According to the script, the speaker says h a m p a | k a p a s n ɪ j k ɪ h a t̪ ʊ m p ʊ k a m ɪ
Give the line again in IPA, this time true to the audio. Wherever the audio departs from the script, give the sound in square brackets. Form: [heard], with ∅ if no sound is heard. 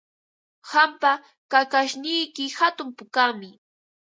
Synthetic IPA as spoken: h a m p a | k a [k] a [ʃ] n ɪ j k ɪ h a t̪ ʊ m p ʊ k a m ɪ